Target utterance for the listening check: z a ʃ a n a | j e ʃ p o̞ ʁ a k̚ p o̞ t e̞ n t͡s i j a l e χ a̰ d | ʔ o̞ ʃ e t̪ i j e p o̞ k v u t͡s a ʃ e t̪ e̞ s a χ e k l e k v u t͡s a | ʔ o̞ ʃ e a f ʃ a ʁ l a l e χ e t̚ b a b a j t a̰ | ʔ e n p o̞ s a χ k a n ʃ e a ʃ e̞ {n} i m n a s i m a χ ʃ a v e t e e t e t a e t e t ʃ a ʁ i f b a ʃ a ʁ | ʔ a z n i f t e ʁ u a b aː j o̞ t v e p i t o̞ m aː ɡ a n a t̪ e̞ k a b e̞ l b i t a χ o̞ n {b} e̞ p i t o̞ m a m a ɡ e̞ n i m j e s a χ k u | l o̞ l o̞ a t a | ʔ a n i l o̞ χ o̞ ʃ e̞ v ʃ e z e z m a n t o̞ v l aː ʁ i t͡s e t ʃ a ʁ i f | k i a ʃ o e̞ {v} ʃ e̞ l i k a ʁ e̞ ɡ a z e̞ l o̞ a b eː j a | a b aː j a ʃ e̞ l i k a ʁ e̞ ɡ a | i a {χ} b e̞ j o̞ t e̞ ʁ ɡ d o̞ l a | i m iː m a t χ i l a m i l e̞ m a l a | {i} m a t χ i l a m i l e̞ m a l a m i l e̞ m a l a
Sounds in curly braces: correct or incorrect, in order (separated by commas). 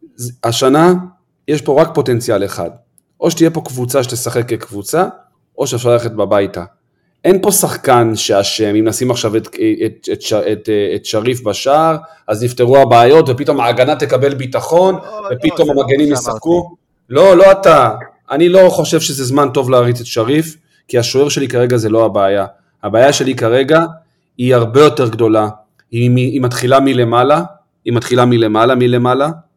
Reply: incorrect, incorrect, incorrect, incorrect, correct